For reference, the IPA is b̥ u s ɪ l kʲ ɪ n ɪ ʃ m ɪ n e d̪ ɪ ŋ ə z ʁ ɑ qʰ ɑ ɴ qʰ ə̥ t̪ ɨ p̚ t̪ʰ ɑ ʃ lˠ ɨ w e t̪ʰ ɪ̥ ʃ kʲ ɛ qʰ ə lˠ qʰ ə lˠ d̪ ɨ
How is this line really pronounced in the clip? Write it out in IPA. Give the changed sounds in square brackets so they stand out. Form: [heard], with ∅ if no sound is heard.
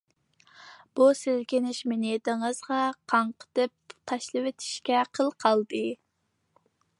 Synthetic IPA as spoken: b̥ u s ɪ l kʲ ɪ n ɪ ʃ m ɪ n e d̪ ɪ ŋ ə z ʁ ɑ qʰ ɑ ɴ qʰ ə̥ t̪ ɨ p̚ t̪ʰ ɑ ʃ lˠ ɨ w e t̪ʰ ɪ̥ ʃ kʲ ɛ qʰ ə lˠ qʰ [ɑ] lˠ d̪ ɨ